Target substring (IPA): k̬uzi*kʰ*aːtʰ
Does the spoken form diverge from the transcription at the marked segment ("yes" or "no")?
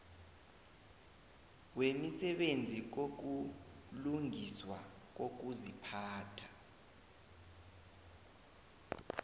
yes